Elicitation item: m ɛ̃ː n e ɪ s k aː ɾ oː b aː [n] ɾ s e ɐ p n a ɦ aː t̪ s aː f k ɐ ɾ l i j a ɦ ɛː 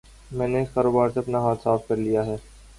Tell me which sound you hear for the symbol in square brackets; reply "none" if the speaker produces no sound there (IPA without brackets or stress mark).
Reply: none